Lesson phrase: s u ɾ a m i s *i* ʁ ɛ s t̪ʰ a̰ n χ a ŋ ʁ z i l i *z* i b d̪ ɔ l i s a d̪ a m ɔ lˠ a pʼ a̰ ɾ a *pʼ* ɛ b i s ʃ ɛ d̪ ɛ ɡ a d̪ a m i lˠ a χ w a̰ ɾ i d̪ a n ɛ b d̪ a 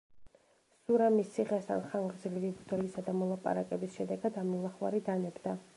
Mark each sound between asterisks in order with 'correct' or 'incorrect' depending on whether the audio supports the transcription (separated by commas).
correct, incorrect, incorrect